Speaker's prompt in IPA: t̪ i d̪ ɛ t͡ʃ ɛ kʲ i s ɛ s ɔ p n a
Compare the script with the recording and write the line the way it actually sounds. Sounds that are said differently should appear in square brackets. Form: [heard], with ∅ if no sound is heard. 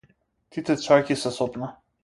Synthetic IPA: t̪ i [t̪] ɛ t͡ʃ [a] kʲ i s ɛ s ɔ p n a